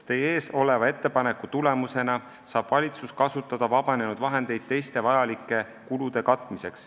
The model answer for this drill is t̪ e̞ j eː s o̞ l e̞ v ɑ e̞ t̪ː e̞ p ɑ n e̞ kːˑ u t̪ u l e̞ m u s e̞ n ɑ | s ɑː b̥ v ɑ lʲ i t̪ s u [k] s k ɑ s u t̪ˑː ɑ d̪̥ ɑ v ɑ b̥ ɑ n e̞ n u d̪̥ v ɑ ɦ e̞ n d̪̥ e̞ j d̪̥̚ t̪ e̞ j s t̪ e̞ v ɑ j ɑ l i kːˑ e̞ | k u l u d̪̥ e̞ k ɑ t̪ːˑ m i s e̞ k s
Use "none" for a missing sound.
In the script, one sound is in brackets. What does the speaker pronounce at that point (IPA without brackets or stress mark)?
none